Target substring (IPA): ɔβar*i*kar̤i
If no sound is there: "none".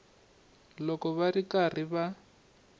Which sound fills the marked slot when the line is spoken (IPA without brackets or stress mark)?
i